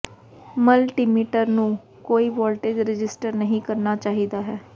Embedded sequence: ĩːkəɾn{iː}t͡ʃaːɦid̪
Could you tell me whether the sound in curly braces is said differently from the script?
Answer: yes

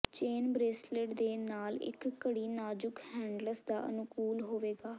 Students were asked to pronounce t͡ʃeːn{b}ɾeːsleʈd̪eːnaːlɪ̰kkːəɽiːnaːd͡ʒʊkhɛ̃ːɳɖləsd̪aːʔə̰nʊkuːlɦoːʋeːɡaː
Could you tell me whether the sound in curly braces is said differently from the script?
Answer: no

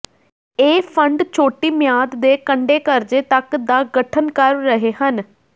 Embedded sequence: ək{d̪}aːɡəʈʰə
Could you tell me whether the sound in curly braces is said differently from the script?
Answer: no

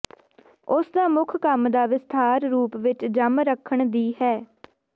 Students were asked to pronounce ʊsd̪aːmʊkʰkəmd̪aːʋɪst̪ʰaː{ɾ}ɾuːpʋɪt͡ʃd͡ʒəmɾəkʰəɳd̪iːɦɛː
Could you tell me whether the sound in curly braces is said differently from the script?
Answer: no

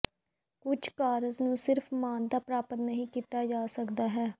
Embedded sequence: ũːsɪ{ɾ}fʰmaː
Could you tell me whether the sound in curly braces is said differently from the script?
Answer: no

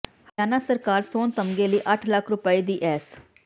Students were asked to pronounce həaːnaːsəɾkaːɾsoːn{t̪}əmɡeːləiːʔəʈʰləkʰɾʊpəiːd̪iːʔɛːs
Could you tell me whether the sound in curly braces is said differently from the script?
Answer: no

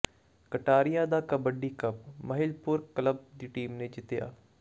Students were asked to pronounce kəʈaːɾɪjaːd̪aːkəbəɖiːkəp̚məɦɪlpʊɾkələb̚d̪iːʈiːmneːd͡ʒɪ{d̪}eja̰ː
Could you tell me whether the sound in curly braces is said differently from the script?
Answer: yes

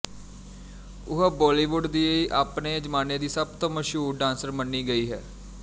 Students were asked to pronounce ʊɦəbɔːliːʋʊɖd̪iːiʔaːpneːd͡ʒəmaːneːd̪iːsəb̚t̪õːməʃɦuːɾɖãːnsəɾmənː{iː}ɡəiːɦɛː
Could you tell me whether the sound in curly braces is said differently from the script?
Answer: no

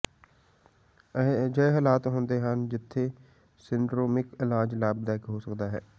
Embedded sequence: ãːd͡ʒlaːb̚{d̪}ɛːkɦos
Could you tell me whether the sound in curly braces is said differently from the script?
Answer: no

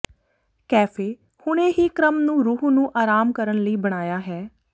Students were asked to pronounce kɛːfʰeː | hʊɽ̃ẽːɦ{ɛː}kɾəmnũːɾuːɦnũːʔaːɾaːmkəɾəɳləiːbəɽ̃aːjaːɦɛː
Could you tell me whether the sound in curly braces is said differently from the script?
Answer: yes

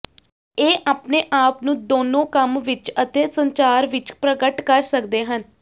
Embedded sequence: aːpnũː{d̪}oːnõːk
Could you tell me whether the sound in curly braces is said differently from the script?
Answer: no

